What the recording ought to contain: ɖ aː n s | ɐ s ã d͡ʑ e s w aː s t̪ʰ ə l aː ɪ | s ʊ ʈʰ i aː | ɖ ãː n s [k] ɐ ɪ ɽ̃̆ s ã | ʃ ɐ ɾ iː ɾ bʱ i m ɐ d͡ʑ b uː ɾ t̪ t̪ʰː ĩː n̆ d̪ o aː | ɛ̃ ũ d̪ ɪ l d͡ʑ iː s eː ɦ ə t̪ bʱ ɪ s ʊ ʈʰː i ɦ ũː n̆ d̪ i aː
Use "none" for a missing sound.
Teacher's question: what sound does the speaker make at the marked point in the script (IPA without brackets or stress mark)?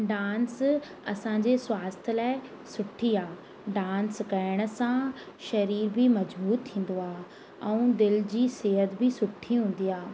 k